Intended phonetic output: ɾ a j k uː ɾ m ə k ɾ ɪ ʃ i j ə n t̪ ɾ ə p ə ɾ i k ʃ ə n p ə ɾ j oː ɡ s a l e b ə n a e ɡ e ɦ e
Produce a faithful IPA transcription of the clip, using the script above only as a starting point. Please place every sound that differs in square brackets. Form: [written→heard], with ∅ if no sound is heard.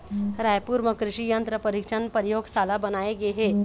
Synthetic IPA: ɾ a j [k→p] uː ɾ m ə k ɾ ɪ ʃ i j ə n t̪ ɾ ə p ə ɾ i k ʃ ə n p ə ɾ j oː ɡ s a l [e→a] b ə n a e ɡ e ɦ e